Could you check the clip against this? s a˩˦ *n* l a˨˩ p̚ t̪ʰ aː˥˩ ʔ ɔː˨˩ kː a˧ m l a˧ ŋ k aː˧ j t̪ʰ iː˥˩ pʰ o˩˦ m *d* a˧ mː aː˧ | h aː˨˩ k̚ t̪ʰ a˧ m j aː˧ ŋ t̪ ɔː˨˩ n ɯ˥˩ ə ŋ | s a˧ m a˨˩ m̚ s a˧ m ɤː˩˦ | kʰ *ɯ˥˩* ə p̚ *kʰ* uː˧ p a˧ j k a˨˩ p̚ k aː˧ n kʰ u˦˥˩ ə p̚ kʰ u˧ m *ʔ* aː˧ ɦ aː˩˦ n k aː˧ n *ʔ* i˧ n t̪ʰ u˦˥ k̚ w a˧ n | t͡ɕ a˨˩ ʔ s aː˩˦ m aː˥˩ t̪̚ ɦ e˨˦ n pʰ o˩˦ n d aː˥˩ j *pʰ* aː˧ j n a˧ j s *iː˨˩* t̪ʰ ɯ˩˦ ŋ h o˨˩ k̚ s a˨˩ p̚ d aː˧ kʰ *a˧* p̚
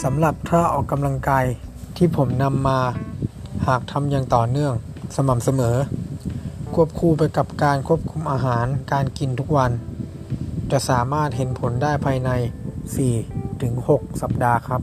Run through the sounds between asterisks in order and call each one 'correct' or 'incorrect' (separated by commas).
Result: incorrect, incorrect, incorrect, correct, correct, incorrect, correct, correct, incorrect